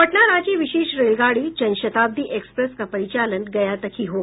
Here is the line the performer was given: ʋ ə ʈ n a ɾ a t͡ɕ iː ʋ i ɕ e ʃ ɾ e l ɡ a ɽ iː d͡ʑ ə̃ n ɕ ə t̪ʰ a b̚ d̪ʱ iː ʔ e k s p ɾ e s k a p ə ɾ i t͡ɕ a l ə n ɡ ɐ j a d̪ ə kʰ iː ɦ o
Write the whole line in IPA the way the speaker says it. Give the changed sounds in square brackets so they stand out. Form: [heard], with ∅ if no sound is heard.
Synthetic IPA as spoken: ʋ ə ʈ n a ɾ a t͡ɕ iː ʋ i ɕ e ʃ ɾ e l ɡ a ɽ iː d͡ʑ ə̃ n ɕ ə [t̪] a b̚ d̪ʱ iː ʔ e k s p ɾ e s k a p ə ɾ i t͡ɕ a l ə n ɡ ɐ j a [t̪] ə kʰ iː ɦ o